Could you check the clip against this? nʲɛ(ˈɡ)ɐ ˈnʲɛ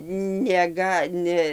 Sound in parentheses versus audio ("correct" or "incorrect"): correct